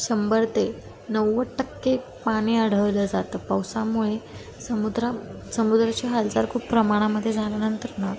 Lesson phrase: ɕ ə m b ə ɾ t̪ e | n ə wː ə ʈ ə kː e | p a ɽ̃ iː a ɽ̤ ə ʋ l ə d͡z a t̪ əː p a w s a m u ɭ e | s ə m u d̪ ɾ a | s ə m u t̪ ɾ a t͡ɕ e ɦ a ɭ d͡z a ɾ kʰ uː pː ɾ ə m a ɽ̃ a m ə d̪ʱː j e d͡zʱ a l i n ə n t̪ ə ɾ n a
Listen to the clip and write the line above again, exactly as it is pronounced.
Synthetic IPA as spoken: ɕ ə m b ə ɾ t̪ e | n ə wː ə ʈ ə kː e | p a ɽ̃ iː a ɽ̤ ə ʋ l ə d͡z a t̪ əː p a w s a m u ɭ e | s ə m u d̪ ɾ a | s ə m u d̪ ɾ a t͡ɕ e ɦ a l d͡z a ɾ kʰ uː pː ɾ ə m a ɽ̃ a m ə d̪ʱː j e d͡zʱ a l a n ə n t̪ ə ɾ n a